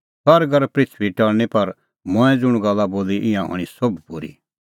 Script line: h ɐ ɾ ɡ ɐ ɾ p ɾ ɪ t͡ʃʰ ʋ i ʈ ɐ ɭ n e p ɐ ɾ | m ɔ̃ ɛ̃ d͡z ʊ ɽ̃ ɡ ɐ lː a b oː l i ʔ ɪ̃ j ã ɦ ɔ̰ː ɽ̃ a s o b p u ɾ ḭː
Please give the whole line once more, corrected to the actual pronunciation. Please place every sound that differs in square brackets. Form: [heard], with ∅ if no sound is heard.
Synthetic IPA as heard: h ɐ ɾ ɡ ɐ ɾ p ɾ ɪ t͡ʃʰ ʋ i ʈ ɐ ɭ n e p ɐ ɾ | m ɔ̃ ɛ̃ d͡z ʊ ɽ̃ ɡ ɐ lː a b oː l i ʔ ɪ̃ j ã ɦ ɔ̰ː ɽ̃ [i] s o b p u ɾ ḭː